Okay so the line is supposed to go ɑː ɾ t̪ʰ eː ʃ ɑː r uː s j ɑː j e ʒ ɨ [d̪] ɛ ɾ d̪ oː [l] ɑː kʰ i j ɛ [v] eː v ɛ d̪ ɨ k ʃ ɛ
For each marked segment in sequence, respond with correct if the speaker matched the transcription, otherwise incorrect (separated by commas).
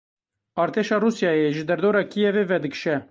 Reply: correct, incorrect, correct